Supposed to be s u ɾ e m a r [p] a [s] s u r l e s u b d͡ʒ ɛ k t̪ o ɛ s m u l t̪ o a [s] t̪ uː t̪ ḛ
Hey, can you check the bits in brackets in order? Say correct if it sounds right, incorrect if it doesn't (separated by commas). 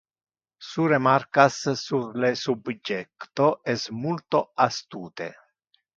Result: incorrect, correct, correct